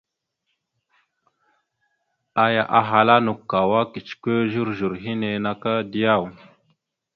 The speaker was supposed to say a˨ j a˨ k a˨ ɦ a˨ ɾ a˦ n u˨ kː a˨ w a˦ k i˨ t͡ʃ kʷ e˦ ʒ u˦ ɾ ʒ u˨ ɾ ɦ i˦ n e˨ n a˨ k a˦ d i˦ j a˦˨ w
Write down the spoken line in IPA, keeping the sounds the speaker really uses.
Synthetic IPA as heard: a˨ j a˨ ʔ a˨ ɦ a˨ l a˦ n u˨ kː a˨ w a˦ k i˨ t͡ʃ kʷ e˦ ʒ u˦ ɾ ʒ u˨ ɾ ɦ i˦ n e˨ n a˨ k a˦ d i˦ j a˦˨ w